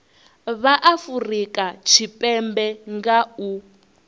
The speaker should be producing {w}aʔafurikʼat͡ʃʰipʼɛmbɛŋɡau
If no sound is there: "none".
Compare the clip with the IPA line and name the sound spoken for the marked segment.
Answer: β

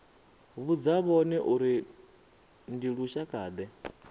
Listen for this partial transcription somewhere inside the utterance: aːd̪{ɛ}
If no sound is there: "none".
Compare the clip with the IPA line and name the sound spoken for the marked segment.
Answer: ɛ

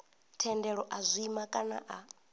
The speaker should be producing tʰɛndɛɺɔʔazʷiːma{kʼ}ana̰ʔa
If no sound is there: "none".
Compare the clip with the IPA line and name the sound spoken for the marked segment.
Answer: kʼ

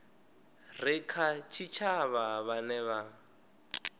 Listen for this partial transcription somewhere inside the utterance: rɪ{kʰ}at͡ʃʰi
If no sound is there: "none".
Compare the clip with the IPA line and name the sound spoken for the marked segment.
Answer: kʰ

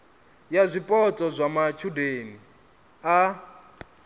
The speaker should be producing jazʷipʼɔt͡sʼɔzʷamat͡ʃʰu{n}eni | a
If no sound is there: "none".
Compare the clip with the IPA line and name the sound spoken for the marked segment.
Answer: d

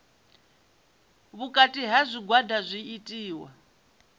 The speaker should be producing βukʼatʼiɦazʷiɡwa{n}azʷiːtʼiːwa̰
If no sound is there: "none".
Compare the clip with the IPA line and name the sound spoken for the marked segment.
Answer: d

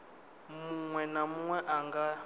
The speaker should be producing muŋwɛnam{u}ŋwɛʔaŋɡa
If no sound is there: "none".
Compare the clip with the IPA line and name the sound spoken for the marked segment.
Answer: u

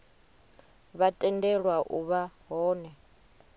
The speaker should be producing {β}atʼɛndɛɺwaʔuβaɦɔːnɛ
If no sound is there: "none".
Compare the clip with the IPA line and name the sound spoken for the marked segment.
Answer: β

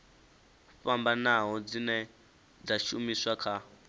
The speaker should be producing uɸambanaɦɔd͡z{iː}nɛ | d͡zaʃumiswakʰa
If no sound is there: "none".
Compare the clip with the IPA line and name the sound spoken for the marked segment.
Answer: i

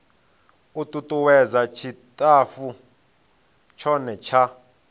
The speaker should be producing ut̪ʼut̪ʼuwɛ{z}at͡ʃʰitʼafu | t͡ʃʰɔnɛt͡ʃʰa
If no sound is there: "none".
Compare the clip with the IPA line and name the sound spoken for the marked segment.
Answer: z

